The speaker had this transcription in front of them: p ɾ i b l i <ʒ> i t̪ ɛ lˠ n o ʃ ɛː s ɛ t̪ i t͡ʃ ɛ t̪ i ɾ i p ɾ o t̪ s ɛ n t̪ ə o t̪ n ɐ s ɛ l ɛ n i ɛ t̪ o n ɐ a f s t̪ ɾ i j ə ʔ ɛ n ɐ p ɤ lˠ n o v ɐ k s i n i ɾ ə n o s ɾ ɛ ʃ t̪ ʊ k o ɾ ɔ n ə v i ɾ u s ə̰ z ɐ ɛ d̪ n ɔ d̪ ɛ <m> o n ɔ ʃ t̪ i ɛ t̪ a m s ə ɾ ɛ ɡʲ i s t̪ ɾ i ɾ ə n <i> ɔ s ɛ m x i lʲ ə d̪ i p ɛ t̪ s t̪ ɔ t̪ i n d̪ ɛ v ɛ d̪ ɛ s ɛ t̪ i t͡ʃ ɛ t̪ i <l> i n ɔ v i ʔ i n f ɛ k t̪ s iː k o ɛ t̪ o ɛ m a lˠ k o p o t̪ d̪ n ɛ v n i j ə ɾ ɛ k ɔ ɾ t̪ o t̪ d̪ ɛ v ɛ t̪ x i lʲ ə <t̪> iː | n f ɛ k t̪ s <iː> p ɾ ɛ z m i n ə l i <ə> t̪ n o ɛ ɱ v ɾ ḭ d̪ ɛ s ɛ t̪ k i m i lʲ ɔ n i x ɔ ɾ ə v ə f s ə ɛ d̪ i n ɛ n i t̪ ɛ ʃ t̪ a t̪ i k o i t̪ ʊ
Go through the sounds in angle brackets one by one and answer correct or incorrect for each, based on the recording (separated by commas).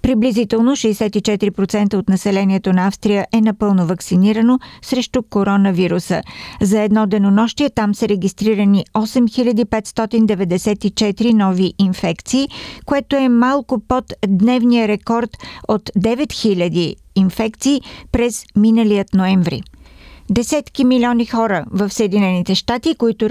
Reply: incorrect, incorrect, correct, incorrect, incorrect, correct, correct